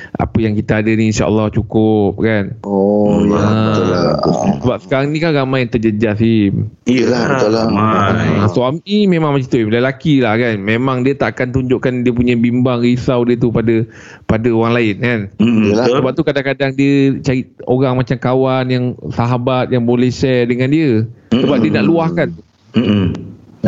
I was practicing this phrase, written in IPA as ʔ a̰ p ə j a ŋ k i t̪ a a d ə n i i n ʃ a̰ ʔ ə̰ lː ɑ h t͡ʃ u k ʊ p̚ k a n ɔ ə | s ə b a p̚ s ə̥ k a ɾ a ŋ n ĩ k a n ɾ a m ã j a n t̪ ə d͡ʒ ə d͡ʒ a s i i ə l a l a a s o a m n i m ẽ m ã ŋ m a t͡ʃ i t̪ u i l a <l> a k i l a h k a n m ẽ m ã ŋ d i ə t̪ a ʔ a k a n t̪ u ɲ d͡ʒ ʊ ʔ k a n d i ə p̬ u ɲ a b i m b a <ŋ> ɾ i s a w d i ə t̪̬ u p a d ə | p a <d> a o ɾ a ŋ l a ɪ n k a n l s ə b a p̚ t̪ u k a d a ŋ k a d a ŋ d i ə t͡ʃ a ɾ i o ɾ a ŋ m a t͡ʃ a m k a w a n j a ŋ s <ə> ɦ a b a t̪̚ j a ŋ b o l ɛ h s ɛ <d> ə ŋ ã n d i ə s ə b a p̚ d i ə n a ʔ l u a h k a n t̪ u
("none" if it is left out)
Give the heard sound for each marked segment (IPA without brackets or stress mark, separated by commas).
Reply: l, ŋ, d, a, d